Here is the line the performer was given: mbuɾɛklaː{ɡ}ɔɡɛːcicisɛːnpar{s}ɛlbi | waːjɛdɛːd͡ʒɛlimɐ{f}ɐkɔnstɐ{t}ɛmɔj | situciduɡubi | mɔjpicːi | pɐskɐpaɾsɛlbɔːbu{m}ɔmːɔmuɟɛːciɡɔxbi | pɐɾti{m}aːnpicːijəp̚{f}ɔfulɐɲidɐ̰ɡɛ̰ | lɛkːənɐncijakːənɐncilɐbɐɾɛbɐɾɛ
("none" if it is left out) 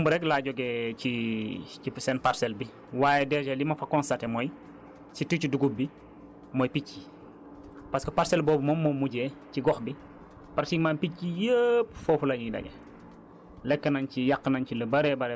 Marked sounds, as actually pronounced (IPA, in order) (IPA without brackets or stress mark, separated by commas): ɟ, s, f, t, m, m, f